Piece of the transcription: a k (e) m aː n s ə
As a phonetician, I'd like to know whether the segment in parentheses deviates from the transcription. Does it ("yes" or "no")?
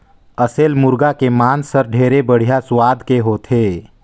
no